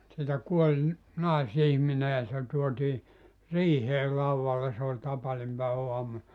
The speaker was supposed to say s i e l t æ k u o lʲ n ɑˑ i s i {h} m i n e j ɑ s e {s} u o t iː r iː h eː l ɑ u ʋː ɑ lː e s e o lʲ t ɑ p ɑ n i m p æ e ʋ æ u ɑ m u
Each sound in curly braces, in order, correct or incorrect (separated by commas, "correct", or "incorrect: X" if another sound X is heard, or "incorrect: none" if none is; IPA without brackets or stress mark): correct, incorrect: t